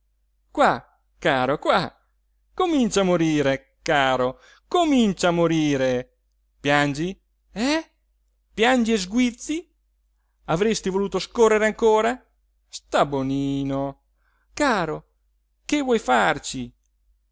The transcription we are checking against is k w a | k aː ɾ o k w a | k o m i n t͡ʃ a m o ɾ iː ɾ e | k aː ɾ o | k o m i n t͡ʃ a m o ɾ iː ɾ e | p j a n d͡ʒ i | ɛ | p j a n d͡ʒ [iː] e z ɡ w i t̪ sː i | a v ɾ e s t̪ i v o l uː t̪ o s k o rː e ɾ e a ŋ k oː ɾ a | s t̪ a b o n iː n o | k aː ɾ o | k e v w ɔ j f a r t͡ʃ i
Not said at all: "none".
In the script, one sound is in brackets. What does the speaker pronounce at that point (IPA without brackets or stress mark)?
i